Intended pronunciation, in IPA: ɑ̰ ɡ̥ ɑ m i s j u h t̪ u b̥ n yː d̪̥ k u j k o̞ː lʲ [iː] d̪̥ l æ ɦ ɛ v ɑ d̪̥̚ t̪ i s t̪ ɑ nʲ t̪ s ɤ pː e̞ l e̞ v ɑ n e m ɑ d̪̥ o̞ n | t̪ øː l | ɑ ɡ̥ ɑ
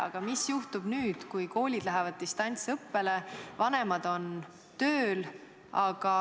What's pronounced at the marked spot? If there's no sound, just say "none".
i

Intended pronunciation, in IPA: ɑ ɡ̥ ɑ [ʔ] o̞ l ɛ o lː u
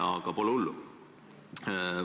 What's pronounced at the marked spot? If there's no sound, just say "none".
p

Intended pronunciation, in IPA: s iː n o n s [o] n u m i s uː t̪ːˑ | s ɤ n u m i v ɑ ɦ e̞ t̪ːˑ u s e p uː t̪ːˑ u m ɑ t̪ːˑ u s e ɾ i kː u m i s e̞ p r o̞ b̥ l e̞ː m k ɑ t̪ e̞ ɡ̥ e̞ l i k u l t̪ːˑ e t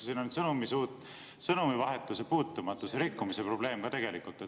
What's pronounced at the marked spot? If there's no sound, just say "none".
ɤ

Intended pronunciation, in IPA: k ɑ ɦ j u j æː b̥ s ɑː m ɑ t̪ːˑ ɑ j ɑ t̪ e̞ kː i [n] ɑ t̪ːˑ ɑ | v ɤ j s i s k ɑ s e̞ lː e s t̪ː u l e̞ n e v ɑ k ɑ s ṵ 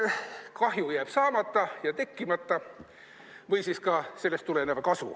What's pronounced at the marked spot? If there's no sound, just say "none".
m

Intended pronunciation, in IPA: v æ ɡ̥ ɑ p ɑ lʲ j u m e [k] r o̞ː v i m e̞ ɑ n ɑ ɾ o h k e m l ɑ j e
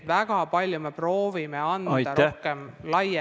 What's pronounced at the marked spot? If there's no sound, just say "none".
p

